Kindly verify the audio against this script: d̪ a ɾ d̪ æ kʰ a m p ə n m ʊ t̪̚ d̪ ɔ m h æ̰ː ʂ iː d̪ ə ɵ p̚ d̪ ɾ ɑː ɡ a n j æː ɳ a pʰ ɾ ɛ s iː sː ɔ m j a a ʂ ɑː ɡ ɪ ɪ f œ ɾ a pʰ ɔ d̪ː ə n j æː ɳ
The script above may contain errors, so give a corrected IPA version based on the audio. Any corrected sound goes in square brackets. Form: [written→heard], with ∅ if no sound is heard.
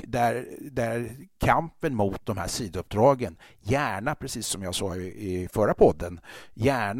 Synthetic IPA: d̪ [a→æ] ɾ d̪ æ kʰ a m p ə n m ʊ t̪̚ d̪ ɔ m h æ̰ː ʂ iː d̪ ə ɵ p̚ d̪ ɾ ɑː ɡ [a→ə] n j æː ɳ a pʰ ɾ ɛ s iː sː ɔ m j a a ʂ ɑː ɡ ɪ ɪ f œ ɾ a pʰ ɔ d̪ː ə n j æː ɳ